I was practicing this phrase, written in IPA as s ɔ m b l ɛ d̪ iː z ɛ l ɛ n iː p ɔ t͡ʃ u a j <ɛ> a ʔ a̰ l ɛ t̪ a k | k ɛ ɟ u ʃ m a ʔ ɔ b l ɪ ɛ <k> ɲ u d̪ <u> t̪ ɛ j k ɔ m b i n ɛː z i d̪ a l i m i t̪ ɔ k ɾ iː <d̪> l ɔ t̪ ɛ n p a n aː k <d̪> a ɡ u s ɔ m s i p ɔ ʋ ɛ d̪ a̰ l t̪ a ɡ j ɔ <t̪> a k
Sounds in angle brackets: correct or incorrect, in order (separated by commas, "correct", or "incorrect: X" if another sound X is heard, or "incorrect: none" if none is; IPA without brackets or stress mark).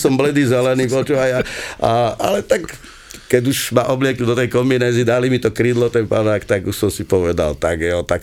incorrect: a, correct, incorrect: ɔ, correct, incorrect: t̪, correct